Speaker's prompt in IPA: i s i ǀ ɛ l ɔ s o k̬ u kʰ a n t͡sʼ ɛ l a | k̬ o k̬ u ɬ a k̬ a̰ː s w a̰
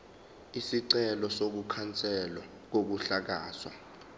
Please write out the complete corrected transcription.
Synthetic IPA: i s i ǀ ɛ l ɔ s o k̬ u kʰ a n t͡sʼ ɛ l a | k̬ o k̬ u ɬ a k̬ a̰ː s w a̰